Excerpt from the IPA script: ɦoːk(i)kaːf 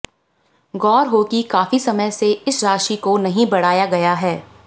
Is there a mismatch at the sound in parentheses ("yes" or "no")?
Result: no